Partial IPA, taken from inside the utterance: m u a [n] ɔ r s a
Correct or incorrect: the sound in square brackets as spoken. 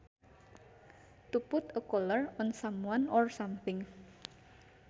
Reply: correct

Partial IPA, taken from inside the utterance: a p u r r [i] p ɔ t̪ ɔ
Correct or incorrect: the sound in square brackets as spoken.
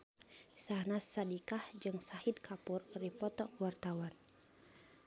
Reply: correct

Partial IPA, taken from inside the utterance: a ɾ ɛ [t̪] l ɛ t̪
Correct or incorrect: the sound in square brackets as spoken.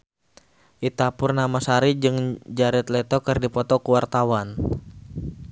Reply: correct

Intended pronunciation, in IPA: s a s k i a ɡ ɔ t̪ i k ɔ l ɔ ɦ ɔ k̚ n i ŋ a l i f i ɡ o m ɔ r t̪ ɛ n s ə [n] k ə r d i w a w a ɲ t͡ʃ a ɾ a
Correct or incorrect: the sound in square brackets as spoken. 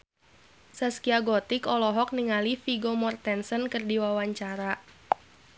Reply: correct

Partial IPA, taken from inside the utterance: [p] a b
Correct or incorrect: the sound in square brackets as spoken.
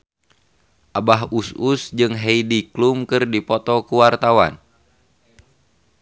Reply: incorrect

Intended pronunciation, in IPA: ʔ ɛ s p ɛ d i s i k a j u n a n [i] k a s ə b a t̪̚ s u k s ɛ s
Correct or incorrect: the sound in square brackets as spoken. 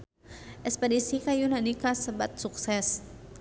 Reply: correct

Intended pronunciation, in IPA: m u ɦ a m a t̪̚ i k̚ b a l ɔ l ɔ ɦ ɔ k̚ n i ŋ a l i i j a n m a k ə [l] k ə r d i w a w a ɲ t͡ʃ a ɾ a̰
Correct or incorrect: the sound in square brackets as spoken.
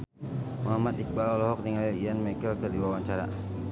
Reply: correct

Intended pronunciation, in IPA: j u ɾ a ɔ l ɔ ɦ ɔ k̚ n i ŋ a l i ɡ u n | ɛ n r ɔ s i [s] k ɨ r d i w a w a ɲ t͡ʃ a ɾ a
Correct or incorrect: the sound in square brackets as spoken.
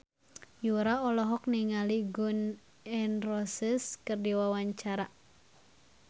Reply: correct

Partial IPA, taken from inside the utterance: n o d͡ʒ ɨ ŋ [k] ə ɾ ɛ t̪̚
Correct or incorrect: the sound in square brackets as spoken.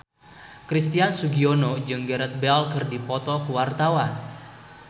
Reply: incorrect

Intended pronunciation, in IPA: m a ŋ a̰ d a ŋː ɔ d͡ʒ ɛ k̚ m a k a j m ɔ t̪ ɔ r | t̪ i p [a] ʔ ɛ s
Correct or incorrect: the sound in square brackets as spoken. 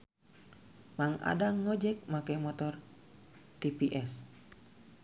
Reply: incorrect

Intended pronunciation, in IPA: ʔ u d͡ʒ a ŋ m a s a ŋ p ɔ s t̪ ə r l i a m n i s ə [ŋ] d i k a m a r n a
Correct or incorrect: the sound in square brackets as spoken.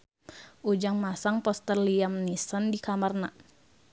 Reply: incorrect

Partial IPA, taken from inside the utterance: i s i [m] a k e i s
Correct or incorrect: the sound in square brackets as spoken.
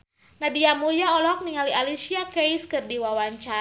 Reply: incorrect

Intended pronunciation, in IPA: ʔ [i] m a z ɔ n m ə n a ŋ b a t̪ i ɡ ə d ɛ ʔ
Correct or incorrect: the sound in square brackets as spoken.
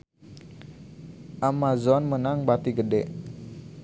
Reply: incorrect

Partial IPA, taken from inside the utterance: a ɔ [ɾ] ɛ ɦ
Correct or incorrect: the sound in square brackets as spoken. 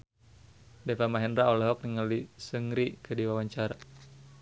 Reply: incorrect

